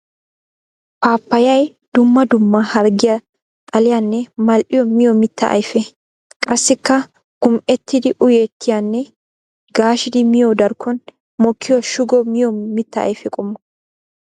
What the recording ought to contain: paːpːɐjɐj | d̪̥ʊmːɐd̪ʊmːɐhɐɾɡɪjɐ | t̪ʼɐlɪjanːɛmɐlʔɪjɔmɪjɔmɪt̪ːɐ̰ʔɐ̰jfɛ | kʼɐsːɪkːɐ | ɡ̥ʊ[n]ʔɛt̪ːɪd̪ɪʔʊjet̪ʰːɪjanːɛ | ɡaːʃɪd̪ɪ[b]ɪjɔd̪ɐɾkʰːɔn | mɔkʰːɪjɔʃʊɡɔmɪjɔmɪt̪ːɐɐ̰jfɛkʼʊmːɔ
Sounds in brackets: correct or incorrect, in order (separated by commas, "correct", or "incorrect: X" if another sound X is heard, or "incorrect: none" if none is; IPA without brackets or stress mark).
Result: incorrect: m, incorrect: m